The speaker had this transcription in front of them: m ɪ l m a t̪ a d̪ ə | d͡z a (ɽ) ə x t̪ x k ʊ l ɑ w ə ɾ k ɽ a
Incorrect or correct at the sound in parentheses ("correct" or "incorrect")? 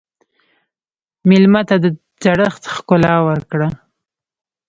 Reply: correct